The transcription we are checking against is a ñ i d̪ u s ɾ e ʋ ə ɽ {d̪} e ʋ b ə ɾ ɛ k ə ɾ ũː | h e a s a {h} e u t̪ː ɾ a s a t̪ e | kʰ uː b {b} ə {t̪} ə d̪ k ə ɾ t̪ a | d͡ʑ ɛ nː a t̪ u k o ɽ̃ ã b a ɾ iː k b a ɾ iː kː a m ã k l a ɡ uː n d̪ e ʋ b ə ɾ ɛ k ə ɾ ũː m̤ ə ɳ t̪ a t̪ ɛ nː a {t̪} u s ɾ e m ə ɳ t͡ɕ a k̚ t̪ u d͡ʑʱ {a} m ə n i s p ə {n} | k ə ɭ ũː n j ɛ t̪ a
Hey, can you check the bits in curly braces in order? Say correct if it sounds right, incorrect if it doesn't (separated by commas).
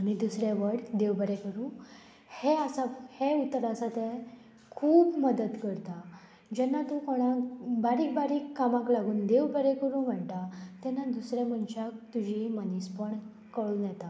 correct, correct, incorrect, incorrect, incorrect, incorrect, incorrect